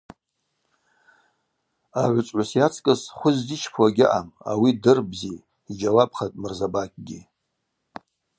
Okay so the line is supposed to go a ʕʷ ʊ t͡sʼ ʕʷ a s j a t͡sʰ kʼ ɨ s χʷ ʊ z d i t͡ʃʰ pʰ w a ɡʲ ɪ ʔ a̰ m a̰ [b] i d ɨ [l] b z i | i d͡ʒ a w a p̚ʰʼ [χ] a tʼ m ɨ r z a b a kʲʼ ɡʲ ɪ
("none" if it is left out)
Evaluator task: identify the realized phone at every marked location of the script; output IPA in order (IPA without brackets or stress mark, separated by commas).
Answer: w, r, χ